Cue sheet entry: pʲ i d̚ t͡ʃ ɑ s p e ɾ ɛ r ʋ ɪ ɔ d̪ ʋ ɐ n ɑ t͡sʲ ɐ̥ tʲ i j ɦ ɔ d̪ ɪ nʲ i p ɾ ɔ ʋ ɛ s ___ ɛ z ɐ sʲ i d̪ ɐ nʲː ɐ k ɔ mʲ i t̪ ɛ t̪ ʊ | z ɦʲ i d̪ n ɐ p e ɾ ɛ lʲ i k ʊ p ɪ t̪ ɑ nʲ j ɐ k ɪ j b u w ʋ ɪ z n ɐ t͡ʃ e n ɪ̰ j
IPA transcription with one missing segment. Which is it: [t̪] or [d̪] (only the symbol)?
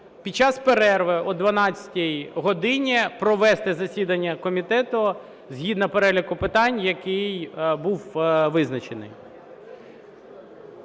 t̪